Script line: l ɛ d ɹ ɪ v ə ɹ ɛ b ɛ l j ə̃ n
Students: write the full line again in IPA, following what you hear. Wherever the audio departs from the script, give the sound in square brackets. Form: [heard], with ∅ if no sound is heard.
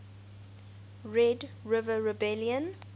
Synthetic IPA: [ɹ] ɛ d ɹ ɪ v ə ɹ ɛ b ɛ l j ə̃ n